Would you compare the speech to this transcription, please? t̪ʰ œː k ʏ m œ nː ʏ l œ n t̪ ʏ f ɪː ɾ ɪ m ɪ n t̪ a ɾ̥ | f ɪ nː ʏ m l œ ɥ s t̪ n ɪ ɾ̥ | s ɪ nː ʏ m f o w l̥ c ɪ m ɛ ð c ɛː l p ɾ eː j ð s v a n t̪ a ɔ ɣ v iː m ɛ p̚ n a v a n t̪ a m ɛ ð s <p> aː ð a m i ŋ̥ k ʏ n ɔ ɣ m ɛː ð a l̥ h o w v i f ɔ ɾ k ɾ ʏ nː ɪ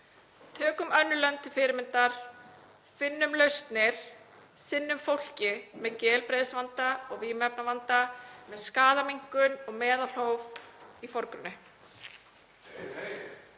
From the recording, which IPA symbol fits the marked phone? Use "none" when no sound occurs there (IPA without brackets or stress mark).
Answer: k